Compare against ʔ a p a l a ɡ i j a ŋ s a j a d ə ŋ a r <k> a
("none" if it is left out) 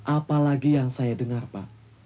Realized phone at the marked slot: p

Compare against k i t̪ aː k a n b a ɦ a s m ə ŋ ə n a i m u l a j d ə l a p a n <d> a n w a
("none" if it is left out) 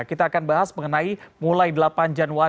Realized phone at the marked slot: d͡ʒ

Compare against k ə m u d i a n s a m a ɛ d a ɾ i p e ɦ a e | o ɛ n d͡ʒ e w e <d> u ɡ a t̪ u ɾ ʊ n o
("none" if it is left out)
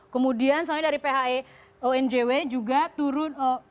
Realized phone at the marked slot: d͡ʒ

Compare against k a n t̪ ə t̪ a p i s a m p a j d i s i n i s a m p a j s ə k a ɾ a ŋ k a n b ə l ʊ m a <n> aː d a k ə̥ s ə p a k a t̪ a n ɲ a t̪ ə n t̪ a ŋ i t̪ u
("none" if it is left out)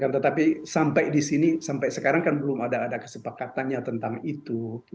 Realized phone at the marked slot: d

